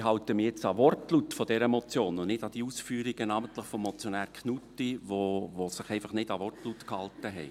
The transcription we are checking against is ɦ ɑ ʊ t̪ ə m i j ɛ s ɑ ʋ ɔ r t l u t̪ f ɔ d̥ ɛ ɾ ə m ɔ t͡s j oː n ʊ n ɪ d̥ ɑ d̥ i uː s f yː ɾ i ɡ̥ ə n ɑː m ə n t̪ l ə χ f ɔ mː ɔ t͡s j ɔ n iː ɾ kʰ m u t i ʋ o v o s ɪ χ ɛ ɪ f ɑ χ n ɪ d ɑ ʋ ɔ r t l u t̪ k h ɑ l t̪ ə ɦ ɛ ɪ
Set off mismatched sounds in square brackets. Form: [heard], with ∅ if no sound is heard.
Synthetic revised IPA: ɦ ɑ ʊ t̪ ə m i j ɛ [t͡s] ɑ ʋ ɔ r t l u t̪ f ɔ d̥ ɛ ɾ ə m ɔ t͡s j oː n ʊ n ɪ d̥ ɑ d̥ i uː s f yː ɾ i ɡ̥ ə n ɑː m ə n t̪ l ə χ f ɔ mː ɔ t͡s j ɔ n [æː] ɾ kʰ [n] u t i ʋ o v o s ɪ χ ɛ ɪ f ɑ χ n ɪ d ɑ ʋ ɔ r t l u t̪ k h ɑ l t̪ ə ɦ ɛ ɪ